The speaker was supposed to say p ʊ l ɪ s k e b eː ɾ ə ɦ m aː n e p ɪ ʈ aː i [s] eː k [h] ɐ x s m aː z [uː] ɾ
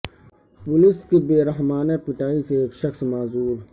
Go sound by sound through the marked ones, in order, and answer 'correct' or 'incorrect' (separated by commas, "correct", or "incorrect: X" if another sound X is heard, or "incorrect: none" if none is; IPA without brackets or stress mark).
correct, incorrect: ʃ, correct